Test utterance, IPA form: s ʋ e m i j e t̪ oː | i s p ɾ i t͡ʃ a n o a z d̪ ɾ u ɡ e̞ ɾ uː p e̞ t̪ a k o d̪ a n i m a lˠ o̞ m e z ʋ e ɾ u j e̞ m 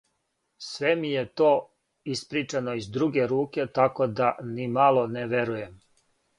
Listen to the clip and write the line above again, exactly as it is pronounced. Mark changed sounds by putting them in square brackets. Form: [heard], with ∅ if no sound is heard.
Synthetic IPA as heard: s ʋ e m i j e t̪ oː | i s p ɾ i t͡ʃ a n o [i] z d̪ ɾ u ɡ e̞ ɾ uː [k] e̞ t̪ a k o d̪ a n i m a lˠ o̞ [n] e [∅] ʋ e ɾ u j e̞ m

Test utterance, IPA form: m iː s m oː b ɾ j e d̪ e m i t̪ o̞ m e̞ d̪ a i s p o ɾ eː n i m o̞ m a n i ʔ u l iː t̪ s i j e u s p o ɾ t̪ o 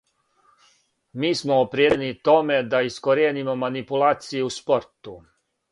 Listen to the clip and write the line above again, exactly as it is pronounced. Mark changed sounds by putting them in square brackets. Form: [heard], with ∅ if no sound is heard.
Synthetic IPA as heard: m iː s m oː [p] ɾ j e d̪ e [n] i t̪ o̞ m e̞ d̪ a i s [k] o ɾ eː n i m o̞ m a n i [p] u l [aː] t̪ s i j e u s p o ɾ t̪ [u]

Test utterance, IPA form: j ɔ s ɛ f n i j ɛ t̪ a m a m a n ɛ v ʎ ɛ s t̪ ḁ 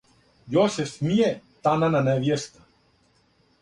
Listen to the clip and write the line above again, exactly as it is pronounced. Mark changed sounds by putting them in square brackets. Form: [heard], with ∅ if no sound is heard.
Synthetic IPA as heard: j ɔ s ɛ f [m] i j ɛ t̪ a [n] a [n] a n ɛ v [j] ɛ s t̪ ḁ

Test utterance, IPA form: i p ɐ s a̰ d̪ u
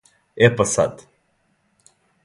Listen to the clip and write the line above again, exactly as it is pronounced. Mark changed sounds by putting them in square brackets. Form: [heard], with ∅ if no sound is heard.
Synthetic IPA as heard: [ɛ] p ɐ s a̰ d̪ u

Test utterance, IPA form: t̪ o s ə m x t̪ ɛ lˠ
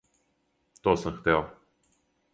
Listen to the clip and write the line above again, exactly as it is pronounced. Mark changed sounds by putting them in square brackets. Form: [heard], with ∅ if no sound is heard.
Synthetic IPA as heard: t̪ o s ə m x t̪ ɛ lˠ

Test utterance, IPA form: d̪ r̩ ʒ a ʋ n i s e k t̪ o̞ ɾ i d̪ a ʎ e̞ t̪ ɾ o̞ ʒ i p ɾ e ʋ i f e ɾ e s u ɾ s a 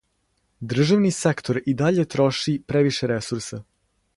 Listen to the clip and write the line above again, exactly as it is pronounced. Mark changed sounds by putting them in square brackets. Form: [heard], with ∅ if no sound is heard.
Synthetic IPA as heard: d̪ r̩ ʒ a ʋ n i s e k t̪ o̞ ɾ i d̪ a ʎ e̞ t̪ ɾ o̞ [ʃ] i p ɾ e ʋ i [ʃ] e ɾ e s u ɾ s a

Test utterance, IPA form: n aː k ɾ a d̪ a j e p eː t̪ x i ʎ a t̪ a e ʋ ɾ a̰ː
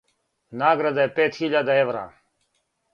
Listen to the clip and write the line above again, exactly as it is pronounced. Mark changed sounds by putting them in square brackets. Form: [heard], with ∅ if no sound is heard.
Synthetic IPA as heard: n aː [ɡ] ɾ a d̪ a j e p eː t̪ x i ʎ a [d̪] a e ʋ ɾ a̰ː

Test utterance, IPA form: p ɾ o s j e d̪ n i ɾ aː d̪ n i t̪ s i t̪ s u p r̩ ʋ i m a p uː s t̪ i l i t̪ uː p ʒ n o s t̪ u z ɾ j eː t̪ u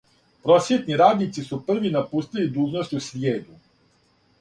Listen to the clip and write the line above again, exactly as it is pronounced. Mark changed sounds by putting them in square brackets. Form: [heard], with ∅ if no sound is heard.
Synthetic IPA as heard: p ɾ o s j e [t̪] n i ɾ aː d̪ n i t̪ s i [∅] s u p r̩ ʋ i [n] a p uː s t̪ i l i [d̪] uː [∅] ʒ n o s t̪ u [s] ɾ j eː [d̪] u

